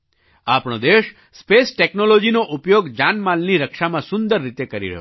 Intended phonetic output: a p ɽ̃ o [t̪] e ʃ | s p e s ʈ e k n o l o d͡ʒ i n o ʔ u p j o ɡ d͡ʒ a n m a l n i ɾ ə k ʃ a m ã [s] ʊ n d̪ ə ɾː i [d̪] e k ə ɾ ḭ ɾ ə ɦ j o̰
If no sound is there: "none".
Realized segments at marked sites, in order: d̪, s, t̪

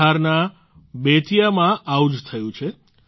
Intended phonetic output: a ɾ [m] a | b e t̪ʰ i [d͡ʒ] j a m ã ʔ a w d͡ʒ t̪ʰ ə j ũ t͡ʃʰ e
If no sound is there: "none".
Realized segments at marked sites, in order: n, none

